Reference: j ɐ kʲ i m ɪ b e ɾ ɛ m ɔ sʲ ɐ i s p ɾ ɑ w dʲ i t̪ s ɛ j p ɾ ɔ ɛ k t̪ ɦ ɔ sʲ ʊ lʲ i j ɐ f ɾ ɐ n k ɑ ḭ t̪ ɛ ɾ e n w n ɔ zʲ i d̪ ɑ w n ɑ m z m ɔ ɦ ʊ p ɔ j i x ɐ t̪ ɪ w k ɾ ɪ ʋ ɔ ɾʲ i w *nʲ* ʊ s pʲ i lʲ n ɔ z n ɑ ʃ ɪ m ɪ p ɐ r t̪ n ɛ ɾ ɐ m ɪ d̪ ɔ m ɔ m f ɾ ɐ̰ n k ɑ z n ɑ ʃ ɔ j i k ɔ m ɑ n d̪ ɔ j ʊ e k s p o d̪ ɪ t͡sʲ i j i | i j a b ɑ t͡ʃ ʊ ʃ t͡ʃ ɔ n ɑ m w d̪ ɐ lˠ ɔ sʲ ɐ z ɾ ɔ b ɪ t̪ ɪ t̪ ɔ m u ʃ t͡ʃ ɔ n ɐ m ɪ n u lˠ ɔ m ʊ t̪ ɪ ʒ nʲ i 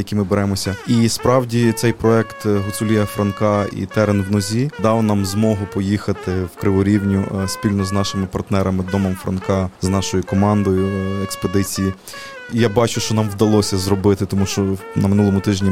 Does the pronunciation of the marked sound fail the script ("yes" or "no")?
no